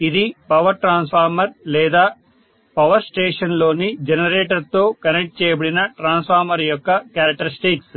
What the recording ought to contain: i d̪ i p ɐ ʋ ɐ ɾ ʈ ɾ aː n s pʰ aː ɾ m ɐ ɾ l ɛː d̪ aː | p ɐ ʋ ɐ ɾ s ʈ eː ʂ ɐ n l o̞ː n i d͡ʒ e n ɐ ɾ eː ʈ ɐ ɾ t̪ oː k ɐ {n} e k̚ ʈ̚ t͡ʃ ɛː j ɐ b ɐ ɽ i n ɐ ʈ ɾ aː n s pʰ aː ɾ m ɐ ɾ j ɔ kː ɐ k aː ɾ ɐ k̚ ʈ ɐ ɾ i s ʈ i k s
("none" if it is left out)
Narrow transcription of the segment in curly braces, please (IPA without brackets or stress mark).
n